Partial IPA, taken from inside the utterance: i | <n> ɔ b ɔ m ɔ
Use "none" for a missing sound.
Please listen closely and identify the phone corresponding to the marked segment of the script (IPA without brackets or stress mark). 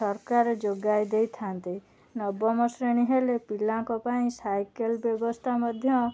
n